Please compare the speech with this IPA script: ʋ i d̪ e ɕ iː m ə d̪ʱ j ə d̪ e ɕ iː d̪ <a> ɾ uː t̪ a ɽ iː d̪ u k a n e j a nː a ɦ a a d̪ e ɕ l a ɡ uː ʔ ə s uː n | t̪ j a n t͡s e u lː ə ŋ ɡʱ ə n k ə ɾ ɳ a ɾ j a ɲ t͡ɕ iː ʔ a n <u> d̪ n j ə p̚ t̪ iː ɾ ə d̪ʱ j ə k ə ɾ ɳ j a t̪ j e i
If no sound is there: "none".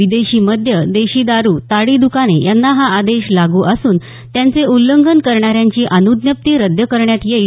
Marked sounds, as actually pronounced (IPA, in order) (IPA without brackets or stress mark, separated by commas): a, u